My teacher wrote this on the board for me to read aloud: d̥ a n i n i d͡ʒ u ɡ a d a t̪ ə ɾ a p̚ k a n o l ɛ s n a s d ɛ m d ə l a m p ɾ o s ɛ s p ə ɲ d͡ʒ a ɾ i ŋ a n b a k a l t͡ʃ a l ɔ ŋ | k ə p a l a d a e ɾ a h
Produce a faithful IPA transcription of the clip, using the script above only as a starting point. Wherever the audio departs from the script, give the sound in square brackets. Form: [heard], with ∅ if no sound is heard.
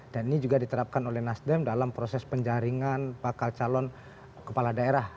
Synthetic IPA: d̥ a n i n i d͡ʒ u ɡ a d [i] t̪ ə ɾ a p̚ k a n o l ɛ [h] n a s d ɛ m d [a] l a m p ɾ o s ɛ s p ə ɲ d͡ʒ a ɾ i ŋ a n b a k a l t͡ʃ a l ɔ [n] | k ə p a l a d a e ɾ a h